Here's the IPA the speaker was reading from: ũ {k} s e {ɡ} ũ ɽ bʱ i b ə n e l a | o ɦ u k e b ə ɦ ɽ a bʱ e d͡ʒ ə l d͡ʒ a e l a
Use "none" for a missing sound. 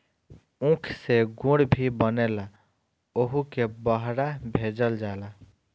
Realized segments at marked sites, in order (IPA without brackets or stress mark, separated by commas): kʰ, ɡ